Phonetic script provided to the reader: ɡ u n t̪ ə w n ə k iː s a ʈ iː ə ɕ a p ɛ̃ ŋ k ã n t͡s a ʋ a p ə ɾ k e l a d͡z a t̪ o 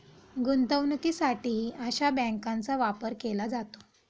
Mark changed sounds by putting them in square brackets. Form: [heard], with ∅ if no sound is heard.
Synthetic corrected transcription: ɡ u n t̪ ə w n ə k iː s a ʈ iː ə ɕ a [b] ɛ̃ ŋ k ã n t͡s a ʋ a p ə ɾ k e l a d͡z a t̪ o